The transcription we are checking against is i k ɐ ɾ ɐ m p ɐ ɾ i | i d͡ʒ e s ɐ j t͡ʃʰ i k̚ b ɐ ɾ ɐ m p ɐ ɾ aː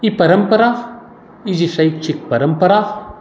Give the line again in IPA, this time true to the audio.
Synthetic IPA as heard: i p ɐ ɾ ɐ m p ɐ ɾ a | i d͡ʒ i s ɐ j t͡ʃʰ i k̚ p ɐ ɾ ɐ m p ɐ ɾ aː

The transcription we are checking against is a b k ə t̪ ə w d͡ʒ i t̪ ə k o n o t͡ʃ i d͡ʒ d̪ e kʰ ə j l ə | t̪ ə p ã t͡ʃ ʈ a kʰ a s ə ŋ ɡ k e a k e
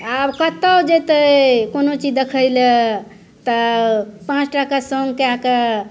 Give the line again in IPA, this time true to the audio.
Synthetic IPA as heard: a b k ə t̪ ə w d͡ʒ e t̪ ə k o n o t͡ʃ i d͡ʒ d̪ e kʰ ə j l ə | t̪ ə p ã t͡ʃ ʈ a k a s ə ŋ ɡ k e a k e

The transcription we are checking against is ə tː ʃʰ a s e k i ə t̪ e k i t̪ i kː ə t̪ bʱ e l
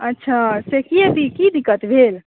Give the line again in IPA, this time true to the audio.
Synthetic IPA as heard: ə tː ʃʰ a s e k i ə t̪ i k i d̪ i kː ə t̪ bʱ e l

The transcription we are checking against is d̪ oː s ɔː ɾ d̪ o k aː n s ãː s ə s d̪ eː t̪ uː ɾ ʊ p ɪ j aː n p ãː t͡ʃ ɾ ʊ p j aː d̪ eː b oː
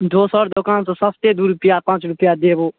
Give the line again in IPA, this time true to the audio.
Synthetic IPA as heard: d̪ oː s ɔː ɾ d̪ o k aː n s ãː s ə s t̪ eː d̪ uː ɾ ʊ p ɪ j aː p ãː t͡ʃ ɾ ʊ p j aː d̪ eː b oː

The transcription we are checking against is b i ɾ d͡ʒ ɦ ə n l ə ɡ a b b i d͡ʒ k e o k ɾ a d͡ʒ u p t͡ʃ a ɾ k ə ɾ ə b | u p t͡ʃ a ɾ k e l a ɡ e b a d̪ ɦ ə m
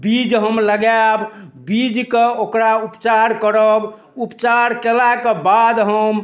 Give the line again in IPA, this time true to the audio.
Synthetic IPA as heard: b i d͡ʒ ɦ ə m l ə ɡ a b b i d͡ʒ k e o k ɾ a u p t͡ʃ a ɾ k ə ɾ ə b | u p t͡ʃ a ɾ k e l a k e b a d̪ ɦ ə m

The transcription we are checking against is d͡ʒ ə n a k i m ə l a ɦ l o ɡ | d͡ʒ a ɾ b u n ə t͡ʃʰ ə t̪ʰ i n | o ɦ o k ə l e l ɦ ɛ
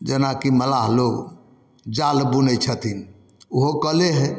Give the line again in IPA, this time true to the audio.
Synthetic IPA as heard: d͡ʒ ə n a k i m ə l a ɦ l o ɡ | d͡ʒ a l b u n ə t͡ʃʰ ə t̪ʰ i n | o ɦ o k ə l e ɦ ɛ

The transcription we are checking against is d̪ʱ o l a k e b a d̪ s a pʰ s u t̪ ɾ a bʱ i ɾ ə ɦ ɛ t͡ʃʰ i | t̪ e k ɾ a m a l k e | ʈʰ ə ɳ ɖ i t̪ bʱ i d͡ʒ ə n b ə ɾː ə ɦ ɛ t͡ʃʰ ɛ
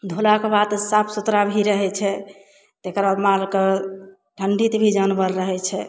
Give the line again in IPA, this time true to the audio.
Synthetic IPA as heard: d̪ʱ o l a k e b a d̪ s a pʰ s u t̪ ɾ a bʱ i ɾ ə ɦ ɛ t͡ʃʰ ɛ | t̪ e k ɾ a m a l k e | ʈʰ ə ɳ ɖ i t̪ bʱ i d͡ʒ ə n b ə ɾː ə ɦ ɛ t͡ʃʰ ɛ

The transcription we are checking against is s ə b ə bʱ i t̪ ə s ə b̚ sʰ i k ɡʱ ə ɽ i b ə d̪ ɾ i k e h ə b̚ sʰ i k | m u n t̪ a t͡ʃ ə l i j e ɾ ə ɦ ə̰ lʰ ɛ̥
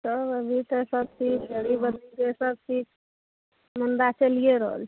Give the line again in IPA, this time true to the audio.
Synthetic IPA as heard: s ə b ə bʱ i t̪ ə s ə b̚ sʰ i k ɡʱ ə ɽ i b ə d̪ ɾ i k e s ə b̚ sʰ i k | m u n d̪ a t͡ʃ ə l i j e ɾ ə ɦ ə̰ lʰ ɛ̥

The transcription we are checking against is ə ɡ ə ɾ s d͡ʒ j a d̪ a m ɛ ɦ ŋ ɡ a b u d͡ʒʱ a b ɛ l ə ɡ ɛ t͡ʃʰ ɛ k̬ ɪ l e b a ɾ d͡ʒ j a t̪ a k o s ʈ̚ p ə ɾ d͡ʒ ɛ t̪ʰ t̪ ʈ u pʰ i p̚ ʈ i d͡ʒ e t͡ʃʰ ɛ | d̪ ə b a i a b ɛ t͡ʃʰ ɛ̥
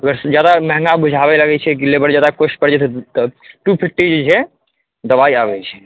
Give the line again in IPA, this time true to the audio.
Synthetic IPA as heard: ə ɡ ə ɾ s d͡ʒ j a d̪ a m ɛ ɦ ŋ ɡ a b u d͡ʒʱ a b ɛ l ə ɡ ɛ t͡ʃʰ ɛ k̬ i l e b ə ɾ d͡ʒ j a d̪ a k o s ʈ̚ p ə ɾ d͡ʒ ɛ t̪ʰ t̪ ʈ u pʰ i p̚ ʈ i d͡ʒ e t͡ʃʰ ɛ | d̪ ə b a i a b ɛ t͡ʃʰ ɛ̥

